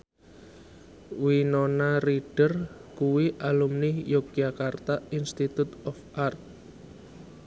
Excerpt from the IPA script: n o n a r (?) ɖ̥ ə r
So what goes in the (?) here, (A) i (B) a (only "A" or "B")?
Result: A